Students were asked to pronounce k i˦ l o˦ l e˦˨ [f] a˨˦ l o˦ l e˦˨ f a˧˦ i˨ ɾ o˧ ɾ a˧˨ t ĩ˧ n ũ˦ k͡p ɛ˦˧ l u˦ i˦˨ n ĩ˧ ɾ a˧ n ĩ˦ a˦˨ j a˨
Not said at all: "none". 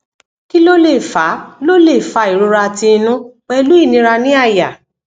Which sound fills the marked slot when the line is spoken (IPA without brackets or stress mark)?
f